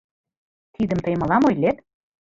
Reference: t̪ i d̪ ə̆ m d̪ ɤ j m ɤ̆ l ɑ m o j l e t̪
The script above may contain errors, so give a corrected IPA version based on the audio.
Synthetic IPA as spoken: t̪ i d̪ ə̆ m t̪ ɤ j m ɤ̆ l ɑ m o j l e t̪